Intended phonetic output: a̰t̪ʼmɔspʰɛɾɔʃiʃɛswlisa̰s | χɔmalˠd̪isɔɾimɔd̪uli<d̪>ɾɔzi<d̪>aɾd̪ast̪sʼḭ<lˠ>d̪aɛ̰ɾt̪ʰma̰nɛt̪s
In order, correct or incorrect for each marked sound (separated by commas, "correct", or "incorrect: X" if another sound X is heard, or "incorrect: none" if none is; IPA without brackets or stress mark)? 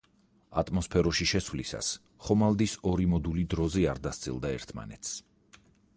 correct, incorrect: none, correct